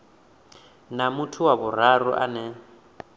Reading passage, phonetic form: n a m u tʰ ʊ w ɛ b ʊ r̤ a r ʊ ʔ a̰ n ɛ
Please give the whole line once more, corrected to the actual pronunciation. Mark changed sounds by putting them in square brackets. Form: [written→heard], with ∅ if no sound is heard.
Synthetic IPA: n a m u tʰ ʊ w [ɛ→a] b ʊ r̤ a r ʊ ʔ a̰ n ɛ